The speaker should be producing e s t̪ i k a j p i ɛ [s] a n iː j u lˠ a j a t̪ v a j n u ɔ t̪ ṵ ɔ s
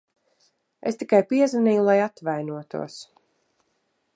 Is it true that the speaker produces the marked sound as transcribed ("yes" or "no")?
no